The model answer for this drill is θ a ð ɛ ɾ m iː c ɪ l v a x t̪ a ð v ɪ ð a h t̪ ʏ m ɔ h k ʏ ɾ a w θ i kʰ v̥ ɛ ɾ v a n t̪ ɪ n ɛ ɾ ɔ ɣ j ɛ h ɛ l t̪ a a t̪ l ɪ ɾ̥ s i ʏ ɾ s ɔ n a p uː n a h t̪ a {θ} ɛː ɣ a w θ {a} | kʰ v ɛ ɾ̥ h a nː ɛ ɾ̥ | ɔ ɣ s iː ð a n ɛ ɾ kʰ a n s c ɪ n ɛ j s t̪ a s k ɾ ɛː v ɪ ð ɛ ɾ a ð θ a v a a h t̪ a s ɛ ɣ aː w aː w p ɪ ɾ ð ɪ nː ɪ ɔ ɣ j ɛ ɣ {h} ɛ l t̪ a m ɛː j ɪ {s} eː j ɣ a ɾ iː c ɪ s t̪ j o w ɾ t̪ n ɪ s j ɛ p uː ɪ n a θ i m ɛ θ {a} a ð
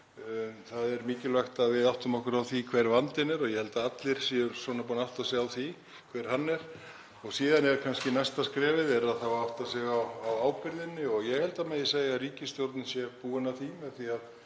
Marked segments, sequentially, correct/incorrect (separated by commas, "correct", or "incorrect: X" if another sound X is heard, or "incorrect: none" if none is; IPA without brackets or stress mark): incorrect: s, incorrect: i, correct, correct, incorrect: i